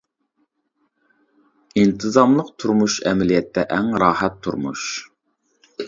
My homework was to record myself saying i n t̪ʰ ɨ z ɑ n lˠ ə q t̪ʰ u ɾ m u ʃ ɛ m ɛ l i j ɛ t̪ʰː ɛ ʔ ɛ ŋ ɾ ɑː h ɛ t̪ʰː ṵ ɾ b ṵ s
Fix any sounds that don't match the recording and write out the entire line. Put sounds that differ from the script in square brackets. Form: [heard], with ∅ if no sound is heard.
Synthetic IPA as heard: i n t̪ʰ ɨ z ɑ [m] lˠ ə q t̪ʰ u ɾ m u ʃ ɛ m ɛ l i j ɛ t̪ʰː ɛ ʔ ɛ ŋ ɾ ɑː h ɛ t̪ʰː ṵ ɾ [m] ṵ [ʃ]